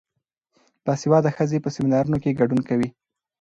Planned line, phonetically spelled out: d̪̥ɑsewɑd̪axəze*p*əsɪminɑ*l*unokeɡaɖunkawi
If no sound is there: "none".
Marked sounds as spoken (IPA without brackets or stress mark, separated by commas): p, ɾ